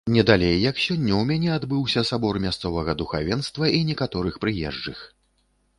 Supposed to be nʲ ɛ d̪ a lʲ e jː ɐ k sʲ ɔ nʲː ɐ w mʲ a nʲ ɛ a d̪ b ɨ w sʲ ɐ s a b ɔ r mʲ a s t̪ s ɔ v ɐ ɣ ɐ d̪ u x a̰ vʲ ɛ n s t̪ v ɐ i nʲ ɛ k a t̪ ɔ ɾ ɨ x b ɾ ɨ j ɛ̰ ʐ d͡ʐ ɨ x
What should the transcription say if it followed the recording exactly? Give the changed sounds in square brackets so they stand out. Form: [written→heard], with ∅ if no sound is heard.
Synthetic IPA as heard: nʲ ɛ d̪ a lʲ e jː ɐ k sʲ ɔ nʲː ɐ w mʲ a nʲ ɛ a d̪ b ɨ w sʲ ɐ s a b ɔ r mʲ a s t̪ s ɔ v ɐ ɣ ɐ d̪ u x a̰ vʲ ɛ n s t̪ v ɐ i nʲ ɛ k a t̪ ɔ ɾ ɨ x [b→p] ɾ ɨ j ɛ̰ ʐ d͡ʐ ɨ x